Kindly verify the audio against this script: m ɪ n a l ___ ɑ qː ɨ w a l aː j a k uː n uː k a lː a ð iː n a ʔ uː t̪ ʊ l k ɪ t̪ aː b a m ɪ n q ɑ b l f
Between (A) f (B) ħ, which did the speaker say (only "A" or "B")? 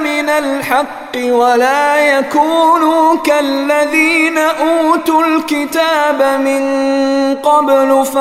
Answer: B